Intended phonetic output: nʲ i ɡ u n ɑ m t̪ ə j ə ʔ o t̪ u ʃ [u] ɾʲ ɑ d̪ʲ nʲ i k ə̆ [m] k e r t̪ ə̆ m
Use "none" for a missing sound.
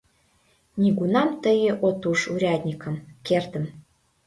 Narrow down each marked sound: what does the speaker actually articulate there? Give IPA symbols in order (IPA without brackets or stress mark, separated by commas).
u, m